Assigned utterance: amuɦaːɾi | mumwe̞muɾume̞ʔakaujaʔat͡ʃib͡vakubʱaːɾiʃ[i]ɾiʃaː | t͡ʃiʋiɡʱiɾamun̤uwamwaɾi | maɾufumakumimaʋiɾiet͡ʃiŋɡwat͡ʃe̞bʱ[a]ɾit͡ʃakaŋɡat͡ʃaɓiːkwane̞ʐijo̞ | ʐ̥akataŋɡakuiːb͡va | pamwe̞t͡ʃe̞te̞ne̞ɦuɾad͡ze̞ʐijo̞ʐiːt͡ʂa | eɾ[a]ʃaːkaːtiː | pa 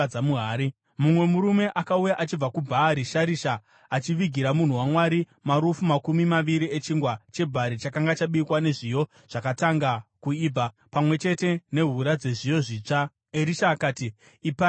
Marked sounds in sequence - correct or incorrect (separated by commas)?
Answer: incorrect, correct, incorrect